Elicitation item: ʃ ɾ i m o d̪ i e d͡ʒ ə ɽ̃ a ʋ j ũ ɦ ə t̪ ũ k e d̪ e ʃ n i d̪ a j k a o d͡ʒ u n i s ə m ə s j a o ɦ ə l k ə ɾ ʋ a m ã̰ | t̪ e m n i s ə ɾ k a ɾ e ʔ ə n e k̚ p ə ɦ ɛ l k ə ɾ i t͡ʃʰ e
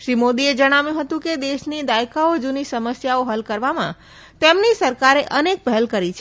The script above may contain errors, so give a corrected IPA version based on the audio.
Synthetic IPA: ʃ ɾ i m o d̪ i e d͡ʒ ə ɽ̃ a ʋ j ũ ɦ ə t̪ ũ k e d̪ e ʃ n i d̪ a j k a o d͡ʒ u n i s ə m ə s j a o ɦ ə l k ə ɾ ʋ a m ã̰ | t̪ e m n i s ə ɾ k a ɾ e ʔ ə n e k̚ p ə ɦ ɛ l k ə ɾ i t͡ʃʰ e